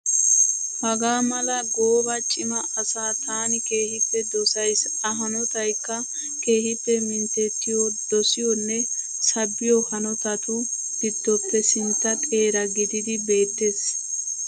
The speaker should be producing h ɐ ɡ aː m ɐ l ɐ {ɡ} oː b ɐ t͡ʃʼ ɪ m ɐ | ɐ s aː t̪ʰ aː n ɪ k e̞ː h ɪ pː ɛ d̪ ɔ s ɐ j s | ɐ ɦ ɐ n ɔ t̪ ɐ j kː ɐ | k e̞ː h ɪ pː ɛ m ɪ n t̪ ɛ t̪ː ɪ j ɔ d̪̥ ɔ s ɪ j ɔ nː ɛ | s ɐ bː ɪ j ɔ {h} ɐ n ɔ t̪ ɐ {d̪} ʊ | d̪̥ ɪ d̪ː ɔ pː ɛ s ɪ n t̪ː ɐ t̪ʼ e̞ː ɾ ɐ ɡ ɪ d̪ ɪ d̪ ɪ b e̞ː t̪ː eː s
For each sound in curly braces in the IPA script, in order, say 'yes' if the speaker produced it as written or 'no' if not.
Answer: yes, yes, no

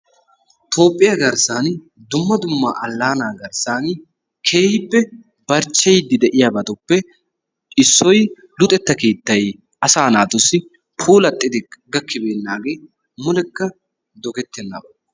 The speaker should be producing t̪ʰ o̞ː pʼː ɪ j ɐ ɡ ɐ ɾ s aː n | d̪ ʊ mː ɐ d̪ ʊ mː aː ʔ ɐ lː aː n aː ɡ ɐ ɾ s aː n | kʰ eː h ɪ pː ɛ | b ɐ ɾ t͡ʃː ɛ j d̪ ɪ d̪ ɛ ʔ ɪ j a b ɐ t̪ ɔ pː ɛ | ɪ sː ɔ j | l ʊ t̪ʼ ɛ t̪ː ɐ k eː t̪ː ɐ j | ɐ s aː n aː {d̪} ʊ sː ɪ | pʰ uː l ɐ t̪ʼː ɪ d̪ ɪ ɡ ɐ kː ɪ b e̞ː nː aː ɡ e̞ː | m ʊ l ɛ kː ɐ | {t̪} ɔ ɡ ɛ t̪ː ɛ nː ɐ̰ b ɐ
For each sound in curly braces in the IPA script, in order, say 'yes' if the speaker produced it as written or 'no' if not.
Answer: no, no

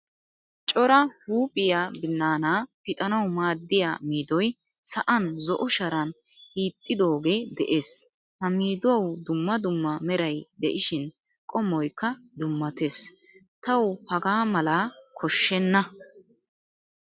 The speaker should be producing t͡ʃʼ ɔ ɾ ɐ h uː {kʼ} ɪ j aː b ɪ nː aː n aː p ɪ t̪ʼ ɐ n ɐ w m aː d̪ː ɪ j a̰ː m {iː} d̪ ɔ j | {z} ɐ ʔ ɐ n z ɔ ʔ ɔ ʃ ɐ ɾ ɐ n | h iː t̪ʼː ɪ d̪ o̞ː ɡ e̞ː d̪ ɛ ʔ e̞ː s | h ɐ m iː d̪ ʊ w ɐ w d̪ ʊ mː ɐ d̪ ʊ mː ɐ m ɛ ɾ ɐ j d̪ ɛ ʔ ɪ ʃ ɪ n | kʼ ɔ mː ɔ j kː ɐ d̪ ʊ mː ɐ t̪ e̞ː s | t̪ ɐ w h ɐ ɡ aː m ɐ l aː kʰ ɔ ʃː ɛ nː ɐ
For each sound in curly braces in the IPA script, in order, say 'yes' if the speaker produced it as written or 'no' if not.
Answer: no, yes, no

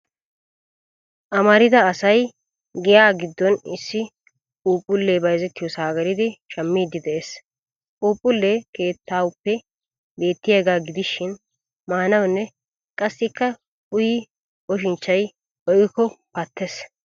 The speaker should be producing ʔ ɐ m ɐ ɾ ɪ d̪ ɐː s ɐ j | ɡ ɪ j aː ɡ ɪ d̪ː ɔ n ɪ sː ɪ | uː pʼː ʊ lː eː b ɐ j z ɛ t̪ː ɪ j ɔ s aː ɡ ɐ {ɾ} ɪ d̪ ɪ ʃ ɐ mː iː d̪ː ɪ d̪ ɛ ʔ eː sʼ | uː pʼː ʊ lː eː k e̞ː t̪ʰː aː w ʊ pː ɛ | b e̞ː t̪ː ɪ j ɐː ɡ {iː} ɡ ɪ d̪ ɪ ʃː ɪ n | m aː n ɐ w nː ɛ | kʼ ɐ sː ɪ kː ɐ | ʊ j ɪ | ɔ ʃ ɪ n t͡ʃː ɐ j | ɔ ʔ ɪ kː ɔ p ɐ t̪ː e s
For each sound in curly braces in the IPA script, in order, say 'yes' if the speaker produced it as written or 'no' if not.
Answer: yes, no

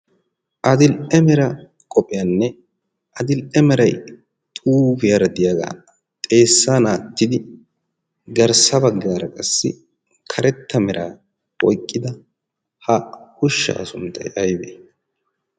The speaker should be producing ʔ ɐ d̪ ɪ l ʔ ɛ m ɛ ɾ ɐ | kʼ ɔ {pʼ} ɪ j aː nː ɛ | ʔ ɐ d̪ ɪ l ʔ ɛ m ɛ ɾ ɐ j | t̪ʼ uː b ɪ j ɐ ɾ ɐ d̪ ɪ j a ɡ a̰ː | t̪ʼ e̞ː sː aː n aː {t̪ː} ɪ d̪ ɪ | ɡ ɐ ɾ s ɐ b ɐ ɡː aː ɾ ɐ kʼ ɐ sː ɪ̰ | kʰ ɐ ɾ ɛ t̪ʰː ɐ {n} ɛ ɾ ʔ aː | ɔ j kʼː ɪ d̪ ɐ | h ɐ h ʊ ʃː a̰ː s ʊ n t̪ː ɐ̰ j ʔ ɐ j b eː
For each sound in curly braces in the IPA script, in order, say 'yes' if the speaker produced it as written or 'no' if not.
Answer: yes, yes, no

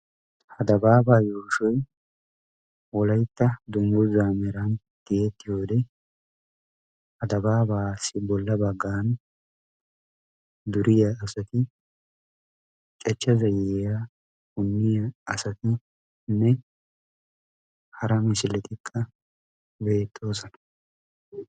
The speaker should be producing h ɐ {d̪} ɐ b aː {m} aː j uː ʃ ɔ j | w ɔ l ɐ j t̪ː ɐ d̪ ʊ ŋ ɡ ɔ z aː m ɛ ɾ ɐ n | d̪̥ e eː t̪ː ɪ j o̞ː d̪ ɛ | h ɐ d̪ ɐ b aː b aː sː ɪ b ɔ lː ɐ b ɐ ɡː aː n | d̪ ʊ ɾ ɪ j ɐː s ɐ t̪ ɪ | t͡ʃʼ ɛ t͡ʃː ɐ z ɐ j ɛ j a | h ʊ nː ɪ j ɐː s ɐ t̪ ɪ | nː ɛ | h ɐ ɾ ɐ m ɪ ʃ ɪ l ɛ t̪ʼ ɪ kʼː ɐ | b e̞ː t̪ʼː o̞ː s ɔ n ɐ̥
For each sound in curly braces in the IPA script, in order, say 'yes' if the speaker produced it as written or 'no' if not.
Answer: yes, no

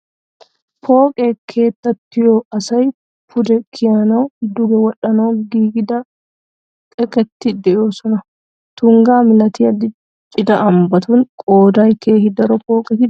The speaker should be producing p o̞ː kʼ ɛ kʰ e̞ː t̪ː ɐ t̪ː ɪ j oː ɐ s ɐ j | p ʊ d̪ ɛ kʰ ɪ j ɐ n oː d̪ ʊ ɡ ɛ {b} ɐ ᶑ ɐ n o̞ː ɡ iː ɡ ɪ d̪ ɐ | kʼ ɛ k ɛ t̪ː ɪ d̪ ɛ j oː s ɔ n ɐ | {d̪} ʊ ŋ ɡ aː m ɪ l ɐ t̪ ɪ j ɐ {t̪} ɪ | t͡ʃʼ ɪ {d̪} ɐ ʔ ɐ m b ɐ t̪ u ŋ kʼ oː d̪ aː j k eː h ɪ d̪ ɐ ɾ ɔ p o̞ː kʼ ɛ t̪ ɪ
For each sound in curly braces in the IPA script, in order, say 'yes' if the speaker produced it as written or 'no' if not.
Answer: no, no, no, yes

